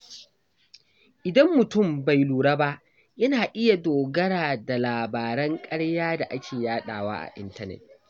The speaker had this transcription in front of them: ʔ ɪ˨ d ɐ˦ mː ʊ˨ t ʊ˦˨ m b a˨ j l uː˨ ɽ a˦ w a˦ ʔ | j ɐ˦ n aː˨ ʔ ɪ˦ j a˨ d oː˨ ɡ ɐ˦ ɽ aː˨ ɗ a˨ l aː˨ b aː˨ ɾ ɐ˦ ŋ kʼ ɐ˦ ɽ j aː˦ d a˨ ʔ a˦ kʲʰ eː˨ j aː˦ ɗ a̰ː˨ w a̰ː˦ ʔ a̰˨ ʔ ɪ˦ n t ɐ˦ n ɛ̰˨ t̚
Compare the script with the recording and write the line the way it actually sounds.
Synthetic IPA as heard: ʔ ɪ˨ d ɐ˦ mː ʊ˨ t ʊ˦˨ m b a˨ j l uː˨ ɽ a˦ b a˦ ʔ | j ɐ˦ n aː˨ ʔ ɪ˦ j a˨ d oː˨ ɡ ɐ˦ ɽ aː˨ d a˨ l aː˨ b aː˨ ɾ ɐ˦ ŋ kʼ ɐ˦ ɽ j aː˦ d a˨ ʔ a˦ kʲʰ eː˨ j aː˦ ɗ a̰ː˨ w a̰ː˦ ʔ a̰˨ ʔ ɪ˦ n t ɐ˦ n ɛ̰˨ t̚